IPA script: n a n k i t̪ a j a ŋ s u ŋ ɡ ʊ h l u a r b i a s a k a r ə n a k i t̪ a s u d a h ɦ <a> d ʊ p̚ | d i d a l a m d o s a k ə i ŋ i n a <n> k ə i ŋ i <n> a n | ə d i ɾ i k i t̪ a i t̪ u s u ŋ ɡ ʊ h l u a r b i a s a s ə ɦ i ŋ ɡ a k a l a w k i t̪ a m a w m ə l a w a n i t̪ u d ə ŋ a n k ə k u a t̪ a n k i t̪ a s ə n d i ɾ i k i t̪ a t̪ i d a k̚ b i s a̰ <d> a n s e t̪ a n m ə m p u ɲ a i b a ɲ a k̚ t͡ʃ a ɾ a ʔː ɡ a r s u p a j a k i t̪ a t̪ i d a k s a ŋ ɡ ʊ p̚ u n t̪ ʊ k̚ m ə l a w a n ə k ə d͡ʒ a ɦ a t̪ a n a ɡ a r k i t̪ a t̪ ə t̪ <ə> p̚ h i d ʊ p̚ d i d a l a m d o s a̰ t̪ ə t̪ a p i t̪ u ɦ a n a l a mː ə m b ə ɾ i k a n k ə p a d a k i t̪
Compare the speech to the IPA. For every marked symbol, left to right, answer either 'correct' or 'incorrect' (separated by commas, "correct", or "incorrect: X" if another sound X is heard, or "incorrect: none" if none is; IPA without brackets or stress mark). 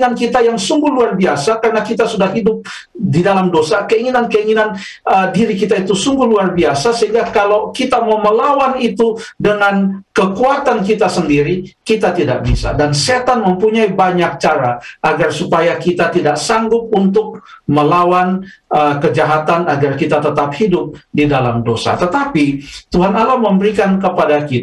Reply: incorrect: i, correct, correct, correct, incorrect: a